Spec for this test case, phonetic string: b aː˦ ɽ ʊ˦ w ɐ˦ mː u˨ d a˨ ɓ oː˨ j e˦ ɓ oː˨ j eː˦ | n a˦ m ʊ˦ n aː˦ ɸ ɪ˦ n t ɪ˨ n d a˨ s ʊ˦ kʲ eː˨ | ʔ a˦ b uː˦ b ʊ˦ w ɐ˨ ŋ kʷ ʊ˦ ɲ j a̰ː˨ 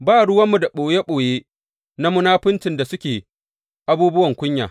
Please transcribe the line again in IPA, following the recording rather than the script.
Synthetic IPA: b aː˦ ɽ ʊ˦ w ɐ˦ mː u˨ d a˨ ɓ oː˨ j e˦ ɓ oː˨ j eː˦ | n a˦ m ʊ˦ n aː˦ ɸ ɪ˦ n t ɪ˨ n d a˨ s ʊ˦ kʲ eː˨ | ʔ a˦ b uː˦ b ʊ˦ w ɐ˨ ŋ kʷ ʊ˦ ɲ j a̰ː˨